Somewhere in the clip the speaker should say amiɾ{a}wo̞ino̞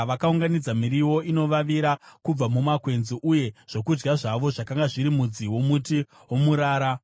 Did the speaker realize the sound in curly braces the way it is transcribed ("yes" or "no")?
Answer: no